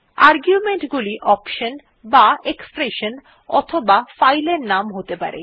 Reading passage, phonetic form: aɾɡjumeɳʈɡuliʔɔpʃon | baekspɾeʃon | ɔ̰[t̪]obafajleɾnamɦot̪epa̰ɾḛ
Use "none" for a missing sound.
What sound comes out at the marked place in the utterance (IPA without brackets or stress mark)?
t̪ʰ